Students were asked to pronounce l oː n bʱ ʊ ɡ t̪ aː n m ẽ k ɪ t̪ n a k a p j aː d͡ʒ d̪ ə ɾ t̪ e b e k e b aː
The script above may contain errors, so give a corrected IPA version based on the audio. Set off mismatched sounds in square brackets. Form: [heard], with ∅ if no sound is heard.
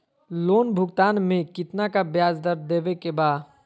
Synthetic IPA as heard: l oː n bʱ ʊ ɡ t̪ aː n m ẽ k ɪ t̪ n a k a [b] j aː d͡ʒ d̪ ə ɾ [d̪] e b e k e b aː